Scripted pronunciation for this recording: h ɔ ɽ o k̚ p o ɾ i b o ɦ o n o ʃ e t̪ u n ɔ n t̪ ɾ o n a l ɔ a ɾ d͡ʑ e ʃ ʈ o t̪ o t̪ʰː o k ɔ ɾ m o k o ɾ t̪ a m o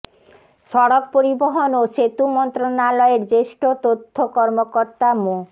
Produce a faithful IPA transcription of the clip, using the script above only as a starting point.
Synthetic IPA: ʃ ɔ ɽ o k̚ p o ɾ i b o ɦ o n o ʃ e t̪ u m ɔ n t̪ ɾ o n a l ɔ e ɾ d͡ʑ e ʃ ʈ o t̪ o t̪ʰː o k ɔ ɾ m o k o ɾ t̪ a m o